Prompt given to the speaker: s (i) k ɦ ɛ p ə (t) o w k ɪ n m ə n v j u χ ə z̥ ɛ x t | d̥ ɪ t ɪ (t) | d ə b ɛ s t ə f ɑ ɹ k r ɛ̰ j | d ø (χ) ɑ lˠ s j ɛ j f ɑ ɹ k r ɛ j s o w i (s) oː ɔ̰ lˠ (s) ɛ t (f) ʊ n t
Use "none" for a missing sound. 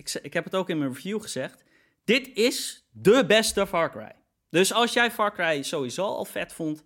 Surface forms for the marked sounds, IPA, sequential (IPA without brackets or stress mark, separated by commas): ɪ, t, s, s, z, f, f